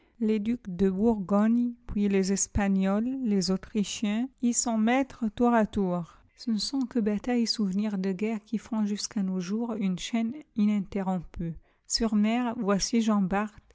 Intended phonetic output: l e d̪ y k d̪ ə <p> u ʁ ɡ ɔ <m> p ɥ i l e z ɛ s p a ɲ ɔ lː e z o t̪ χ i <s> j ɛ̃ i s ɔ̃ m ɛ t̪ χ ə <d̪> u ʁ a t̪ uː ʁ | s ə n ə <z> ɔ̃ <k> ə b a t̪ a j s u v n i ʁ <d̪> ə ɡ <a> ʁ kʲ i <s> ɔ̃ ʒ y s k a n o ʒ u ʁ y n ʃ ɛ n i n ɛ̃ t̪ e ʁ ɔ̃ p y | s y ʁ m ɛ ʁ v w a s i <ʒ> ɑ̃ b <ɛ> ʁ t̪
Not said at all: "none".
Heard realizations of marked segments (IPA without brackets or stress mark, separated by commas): b, ɲ, ʃ, t̪, s, k, d̪, ɛ, f, ʒ, a